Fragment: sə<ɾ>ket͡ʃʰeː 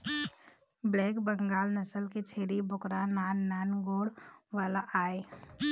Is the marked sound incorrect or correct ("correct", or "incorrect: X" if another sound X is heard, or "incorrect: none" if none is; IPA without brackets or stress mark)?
incorrect: l